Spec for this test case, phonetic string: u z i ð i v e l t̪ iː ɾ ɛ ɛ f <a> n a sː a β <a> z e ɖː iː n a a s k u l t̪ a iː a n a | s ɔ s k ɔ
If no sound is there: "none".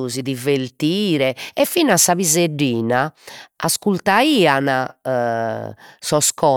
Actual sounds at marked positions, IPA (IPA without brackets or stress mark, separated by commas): i, i